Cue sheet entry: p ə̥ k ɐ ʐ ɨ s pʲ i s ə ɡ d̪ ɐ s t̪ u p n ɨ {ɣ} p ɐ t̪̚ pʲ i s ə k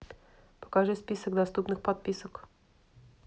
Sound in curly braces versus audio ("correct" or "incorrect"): incorrect